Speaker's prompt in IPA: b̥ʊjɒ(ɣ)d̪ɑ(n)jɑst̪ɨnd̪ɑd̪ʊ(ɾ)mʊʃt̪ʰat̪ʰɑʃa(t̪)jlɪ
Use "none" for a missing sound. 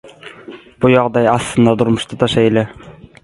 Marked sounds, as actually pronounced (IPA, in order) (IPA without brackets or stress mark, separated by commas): ʁ, none, ɾ, none